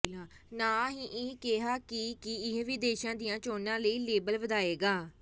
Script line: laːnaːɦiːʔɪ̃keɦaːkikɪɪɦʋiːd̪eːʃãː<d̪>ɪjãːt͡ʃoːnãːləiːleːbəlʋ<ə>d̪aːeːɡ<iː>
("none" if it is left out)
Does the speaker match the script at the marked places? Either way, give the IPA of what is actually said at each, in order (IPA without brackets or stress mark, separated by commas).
d̪, ə, aː